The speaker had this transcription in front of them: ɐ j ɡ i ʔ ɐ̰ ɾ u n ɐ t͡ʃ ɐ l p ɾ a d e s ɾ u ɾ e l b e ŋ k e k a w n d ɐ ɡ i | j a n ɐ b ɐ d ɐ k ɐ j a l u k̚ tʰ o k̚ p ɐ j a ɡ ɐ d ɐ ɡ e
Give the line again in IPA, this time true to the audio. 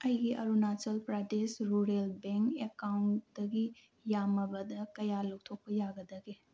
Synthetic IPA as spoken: ɐ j ɡ i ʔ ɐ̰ ɾ u n a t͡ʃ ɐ l p ɾ a d e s ɾ u ɾ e l b e ŋ k e k a w n d ɐ ɡ i | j a m ɐ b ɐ d ɐ k ɐ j a l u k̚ tʰ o k̚ p ɐ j a ɡ ɐ d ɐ ɡ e